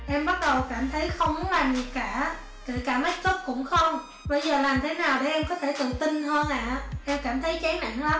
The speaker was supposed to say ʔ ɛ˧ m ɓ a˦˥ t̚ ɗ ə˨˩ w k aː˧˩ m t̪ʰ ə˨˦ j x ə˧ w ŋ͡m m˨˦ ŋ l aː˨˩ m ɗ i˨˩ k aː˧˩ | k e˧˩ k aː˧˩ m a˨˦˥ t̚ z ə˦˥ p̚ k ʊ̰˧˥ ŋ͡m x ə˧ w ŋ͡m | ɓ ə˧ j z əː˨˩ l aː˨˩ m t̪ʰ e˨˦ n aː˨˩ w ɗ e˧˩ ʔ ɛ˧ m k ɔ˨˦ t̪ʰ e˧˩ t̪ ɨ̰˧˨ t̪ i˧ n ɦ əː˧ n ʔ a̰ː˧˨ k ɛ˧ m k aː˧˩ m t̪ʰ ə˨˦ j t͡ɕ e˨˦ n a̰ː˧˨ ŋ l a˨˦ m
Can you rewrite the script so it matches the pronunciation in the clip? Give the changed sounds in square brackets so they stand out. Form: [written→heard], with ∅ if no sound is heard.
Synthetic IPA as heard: ʔ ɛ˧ m ɓ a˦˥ t̚ ɗ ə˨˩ w k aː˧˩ m t̪ʰ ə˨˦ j x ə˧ w ŋ͡m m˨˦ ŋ l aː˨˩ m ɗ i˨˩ k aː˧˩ | k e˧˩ k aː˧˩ m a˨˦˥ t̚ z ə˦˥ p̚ k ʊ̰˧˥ ŋ͡m x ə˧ w ŋ͡m | ɓ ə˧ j z əː˨˩ l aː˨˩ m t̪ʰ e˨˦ n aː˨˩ w ɗ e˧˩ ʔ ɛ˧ m k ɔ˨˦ t̪ʰ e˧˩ t̪ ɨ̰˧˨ t̪ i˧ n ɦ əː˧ n ʔ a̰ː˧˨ [k→ʔ] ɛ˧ m k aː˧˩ m t̪ʰ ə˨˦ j t͡ɕ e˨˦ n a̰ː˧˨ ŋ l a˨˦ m